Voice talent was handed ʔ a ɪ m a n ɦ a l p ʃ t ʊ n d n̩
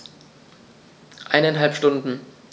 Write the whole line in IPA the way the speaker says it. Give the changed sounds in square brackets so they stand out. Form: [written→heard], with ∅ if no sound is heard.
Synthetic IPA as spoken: ʔ a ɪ [m→n] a n ɦ a l p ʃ t ʊ n d n̩